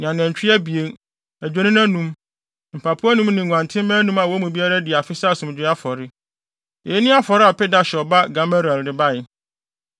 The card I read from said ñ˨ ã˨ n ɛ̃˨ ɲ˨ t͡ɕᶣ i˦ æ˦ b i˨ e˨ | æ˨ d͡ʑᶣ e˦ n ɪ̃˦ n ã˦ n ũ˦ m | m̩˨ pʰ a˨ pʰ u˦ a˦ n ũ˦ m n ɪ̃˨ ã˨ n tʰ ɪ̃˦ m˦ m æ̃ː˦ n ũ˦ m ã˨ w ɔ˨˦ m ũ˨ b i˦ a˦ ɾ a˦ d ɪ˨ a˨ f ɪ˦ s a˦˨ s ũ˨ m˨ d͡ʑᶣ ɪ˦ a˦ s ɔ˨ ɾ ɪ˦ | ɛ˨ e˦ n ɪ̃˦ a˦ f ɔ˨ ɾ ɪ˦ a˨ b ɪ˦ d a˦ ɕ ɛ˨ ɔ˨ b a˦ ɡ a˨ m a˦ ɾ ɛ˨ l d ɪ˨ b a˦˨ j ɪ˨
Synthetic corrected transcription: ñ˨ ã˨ n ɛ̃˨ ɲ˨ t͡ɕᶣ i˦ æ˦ b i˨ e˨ | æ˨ d͡ʑᶣ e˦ n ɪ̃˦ n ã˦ n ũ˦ m | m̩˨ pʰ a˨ pʰ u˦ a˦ n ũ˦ m n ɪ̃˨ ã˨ n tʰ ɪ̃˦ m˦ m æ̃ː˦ n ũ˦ m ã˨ w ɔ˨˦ m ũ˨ b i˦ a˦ ɾ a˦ d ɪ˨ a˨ f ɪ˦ s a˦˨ s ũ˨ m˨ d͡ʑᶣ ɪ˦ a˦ f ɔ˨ ɾ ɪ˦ | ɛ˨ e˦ n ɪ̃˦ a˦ f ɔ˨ ɾ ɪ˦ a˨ p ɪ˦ d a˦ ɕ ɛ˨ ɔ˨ b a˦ ɡ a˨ m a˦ ɾ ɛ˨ l d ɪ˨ b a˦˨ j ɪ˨